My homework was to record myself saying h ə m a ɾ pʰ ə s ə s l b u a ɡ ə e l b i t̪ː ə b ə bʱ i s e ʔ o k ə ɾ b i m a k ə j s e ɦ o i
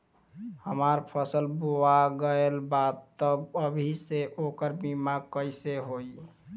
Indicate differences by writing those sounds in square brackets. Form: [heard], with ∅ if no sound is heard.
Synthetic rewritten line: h ə m a ɾ pʰ ə s ə [∅] l b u a ɡ ə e l b [a] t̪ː ə b ə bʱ i s e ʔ o k ə ɾ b i m a k ə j s e ɦ o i